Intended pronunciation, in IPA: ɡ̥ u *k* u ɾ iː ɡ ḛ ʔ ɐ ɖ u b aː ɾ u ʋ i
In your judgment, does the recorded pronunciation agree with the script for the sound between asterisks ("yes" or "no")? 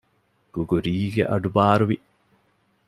no